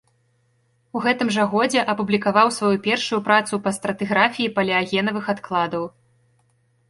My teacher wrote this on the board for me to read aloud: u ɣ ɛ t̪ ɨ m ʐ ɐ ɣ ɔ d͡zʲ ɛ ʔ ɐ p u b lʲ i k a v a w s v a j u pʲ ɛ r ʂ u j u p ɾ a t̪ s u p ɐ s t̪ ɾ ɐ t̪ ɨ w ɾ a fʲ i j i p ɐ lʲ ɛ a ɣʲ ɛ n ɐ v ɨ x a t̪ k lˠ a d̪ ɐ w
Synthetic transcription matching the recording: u ɣ ɛ t̪ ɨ m ʐ ɐ ɣ ɔ d͡zʲ ɛ ʔ ɐ p u b lʲ i k a v a w s v a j u pʲ ɛ r ʂ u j u p ɾ a t̪ s u p ɐ s t̪ ɾ ɐ t̪ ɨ ɣ ɾ a fʲ i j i p ɐ lʲ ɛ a ɣʲ ɛ n ɐ v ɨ x a t̪ k lˠ a d̪ ɐ w